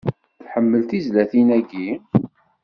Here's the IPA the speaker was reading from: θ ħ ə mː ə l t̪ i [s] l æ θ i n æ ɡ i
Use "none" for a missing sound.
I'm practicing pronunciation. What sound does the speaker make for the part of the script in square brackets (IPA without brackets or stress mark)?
z